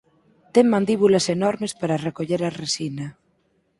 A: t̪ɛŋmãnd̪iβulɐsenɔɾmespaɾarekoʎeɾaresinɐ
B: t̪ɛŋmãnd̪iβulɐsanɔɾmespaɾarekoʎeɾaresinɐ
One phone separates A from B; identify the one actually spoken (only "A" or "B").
A